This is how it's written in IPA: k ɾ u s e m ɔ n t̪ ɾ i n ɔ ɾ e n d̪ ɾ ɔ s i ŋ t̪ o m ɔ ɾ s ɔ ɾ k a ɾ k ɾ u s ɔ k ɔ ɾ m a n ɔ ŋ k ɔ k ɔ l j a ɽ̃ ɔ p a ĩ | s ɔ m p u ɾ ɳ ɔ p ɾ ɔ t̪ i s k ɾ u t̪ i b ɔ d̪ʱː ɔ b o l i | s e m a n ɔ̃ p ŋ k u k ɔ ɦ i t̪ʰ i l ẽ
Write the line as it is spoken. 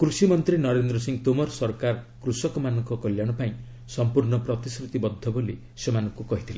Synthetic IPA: k ɾ u s i m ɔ n t̪ ɾ i n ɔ ɾ e n d̪ ɾ ɔ s i ŋ t̪ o m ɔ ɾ s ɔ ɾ k a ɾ k ɾ u s ɔ k ɔ m a n ɔ ŋ k ɔ k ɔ l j a ɽ̃ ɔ p a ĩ | s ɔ m p u ɾ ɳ ɔ p ɾ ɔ t̪ i s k ɾ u t̪ i b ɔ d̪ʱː ɔ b o l i | s e m a n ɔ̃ ŋ k u k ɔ ɦ i t̪ʰ i l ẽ